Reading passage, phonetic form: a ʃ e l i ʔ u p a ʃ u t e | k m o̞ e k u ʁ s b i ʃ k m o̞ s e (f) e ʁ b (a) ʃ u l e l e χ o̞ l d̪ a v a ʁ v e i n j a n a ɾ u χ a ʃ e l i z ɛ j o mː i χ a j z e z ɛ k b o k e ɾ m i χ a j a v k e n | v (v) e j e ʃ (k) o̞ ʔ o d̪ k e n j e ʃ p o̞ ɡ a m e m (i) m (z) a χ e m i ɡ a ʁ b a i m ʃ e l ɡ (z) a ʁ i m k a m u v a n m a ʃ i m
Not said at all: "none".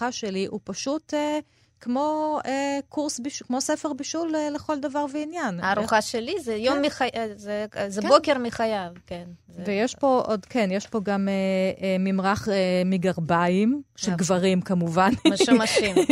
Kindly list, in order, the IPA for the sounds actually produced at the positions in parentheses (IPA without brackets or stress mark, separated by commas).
f, i, v, p, i, ʁ, v